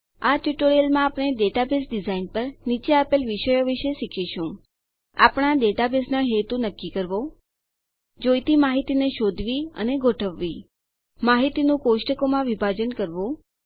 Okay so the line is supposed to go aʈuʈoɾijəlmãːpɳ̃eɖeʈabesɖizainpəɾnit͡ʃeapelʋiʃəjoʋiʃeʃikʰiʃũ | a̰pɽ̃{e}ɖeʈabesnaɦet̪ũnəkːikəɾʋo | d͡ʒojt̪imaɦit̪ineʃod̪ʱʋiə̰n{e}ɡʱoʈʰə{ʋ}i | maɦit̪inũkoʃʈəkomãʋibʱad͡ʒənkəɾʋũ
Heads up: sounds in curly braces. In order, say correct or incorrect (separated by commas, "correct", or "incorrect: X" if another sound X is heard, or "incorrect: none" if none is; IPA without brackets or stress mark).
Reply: incorrect: a, correct, incorrect: ʋː